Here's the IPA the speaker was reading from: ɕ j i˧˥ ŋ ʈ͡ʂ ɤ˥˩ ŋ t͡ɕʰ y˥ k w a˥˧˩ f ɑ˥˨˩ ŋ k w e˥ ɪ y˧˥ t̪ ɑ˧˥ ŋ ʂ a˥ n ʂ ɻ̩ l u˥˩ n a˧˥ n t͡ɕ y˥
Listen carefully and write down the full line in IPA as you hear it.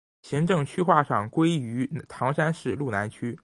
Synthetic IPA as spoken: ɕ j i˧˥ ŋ ʈ͡ʂ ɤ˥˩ ŋ t͡ɕʰ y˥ x w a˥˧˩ ʂ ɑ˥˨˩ ŋ k w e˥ ɪ y˧˥ t̪ʰ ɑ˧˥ ŋ ʂ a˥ n ʂ ɻ̩ l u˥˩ n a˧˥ n t͡ɕʰ y˥

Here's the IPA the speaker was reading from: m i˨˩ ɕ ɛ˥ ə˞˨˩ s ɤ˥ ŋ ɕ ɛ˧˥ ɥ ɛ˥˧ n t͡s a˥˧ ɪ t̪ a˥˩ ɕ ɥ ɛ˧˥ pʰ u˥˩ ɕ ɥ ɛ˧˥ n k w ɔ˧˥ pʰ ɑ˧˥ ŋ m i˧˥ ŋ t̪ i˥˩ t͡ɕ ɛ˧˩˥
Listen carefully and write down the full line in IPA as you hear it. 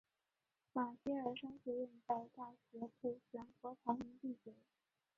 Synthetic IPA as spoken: m a˨˩ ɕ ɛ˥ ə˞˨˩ ʂ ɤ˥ ŋ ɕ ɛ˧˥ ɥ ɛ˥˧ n t͡s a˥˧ ɪ t̪ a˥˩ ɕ ɥ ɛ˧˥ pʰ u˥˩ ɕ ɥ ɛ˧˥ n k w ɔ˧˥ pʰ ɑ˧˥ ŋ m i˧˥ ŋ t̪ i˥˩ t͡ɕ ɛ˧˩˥

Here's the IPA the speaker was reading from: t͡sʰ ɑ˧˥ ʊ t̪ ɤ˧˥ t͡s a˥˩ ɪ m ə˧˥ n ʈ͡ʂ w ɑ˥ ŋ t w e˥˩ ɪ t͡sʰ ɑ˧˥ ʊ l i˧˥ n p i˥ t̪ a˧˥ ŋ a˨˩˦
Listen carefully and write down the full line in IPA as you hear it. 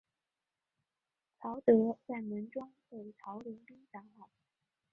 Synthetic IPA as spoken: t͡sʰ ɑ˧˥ ʊ t̪ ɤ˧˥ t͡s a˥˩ ɪ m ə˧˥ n ʈ͡ʂ w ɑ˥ ŋ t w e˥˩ ɪ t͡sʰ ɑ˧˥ ʊ l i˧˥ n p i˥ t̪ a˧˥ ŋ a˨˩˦

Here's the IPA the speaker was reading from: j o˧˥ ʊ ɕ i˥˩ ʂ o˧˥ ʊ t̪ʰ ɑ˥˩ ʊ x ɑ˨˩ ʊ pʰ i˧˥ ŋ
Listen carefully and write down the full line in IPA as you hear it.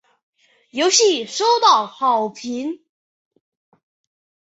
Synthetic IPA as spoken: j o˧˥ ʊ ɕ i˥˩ ʂ o˥ ʊ t̪ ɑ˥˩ ʊ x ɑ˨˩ ʊ pʰ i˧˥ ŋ

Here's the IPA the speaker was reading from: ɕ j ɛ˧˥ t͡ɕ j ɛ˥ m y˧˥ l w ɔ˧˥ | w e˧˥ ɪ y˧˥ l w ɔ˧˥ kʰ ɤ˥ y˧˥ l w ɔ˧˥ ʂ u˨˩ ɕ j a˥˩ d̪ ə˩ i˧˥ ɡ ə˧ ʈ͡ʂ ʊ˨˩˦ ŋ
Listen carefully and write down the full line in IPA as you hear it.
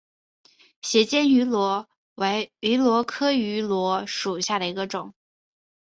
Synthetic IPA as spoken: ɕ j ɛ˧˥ t͡ɕ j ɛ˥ n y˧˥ l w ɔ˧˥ | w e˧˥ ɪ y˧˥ l w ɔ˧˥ kʰ ɤ˥ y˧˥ l w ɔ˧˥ ʂ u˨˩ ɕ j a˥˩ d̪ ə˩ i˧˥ ɡ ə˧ ʈ͡ʂ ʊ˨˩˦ ŋ

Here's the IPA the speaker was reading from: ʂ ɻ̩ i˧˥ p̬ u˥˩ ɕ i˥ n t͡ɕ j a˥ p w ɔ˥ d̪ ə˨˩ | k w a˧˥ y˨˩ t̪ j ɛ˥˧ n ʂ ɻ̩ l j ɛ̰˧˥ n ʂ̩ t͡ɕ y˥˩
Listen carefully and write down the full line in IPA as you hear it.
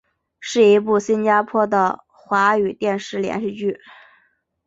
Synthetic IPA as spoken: ʂ ɻ̩ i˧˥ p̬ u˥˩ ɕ i˥ n t͡ɕ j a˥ pʰ w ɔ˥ d̪ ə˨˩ | x w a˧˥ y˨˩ t̪ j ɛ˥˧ n ʂ ɻ̩ l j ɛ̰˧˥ n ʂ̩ t͡ɕ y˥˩

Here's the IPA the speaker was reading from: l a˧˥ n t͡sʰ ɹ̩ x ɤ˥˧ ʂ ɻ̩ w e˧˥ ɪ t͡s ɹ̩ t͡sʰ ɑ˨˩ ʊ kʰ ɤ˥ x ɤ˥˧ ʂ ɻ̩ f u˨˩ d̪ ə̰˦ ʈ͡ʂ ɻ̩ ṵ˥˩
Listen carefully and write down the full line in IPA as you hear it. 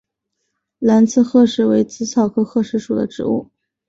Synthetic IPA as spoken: l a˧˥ n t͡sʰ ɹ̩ x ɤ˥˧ ʂ ɻ̩ w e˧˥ ɪ t͡s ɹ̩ t͡sʰ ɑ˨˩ ʊ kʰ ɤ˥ x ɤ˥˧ ʂ ɻ̩ ʂ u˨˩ d̪ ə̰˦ ʈ͡ʂ ɻ̩ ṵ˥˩

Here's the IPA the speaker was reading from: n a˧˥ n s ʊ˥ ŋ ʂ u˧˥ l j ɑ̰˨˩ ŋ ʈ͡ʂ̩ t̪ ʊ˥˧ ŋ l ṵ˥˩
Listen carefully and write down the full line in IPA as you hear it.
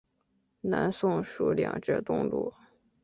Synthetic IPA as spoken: n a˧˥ n s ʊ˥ ŋ ʂ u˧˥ l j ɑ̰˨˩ ŋ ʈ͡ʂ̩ t̪ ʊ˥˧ ŋ l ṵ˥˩

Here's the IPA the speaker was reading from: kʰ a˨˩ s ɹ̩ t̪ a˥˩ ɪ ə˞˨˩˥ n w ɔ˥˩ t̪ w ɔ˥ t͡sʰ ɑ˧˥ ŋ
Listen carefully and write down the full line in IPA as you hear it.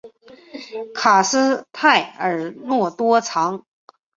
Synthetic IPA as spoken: kʰ a˨˩ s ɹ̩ t̪ʰ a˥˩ ɪ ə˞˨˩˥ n w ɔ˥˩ t̪ w ɔ˥ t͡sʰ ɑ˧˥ ŋ

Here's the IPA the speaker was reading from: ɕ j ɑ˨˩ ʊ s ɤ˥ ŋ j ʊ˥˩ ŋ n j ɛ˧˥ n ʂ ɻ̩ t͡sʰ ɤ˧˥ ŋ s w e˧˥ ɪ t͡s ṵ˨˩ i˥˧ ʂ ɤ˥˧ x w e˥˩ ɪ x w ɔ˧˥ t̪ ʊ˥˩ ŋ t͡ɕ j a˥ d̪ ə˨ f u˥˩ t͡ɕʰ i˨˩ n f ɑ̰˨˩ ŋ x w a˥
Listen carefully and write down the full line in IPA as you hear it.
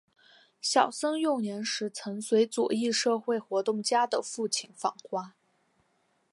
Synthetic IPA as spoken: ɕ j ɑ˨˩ ʊ s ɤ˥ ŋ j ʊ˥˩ ŋ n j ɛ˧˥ n ʂ ɻ̩ t͡sʰ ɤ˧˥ ŋ s w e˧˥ ɪ t͡s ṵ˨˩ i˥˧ ʂ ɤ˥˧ x w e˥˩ ɪ x w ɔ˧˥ t̪ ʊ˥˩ ŋ t͡ɕ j a˥ d̪ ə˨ f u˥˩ t͡ɕʰ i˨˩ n f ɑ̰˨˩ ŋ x w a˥

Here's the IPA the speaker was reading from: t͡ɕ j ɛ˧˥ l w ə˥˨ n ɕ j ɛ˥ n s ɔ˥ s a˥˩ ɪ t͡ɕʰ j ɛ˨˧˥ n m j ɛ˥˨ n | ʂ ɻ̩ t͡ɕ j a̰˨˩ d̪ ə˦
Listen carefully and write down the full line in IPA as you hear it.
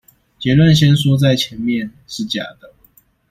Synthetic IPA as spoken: t͡ɕ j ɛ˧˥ l w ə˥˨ n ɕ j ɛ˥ n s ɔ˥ t͡s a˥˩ ɪ t͡ɕʰ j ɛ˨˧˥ n m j ɛ˥˨ n | ʂ ɻ̩ t͡ɕ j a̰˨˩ d̪ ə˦

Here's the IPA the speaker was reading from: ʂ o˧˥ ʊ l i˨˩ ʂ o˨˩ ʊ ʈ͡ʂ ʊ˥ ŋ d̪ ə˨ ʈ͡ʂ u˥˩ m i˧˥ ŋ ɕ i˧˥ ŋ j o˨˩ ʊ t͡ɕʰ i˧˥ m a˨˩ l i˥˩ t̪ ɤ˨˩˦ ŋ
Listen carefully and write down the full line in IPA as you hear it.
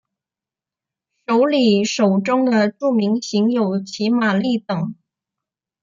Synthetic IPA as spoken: ʂ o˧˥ ʊ l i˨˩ ʂ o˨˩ ʊ ʈ͡ʂ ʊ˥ ŋ d̪ ə˨ ʈ͡ʂ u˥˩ m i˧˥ ŋ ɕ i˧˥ ŋ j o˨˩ ʊ t͡ɕʰ i˧˥ m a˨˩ l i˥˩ t̪ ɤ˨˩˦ ŋ

